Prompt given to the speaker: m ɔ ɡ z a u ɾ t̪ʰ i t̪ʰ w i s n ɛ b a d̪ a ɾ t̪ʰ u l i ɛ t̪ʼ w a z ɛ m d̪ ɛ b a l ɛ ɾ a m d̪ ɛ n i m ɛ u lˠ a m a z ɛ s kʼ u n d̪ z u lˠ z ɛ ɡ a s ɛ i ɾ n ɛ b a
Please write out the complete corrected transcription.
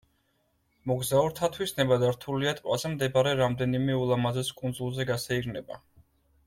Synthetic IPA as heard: m ɔ ɡ z a u ɾ t̪ʰ a t̪ʰ w i s n ɛ b a d̪ a ɾ t̪ʰ u l i a t̪ʼ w a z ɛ m d̪ ɛ b a ɾ ɛ ɾ a m d̪ ɛ n i m ɛ u lˠ a m a z ɛ s kʼ u n d̪ z u lˠ z ɛ ɡ a s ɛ i ɾ n ɛ b a